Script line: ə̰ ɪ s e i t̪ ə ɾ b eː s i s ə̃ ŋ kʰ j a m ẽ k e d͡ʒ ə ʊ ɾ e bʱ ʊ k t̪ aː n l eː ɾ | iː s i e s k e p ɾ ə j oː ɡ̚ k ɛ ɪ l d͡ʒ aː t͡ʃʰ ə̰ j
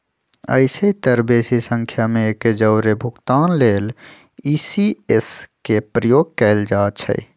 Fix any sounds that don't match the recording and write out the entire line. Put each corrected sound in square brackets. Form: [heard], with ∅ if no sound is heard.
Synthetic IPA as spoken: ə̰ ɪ s e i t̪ ə ɾ b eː s i s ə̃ ŋ kʰ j a m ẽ k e d͡ʒ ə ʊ ɾ e bʱ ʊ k t̪ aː n l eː [l] | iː s i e s k e p ɾ ə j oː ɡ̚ k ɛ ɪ l d͡ʒ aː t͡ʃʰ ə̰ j